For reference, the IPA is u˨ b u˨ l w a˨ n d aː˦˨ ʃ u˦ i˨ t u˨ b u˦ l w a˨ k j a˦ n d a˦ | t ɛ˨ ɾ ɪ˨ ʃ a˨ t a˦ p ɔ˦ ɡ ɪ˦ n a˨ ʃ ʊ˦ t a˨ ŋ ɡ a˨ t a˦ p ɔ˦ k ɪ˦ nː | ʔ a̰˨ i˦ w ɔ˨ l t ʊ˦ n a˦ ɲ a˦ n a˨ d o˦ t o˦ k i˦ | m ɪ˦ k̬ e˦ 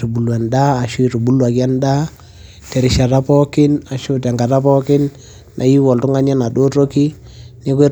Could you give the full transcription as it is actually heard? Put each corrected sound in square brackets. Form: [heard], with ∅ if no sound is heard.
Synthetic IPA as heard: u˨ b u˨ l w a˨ n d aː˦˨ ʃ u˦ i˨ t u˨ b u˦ l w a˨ k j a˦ n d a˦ | t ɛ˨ ɾ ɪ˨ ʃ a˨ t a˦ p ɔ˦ [k] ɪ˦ n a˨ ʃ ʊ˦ t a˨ ŋ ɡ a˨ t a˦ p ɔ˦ k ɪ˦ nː | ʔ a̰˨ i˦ w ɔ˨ l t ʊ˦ [ŋ] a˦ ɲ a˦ n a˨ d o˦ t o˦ k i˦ | [n] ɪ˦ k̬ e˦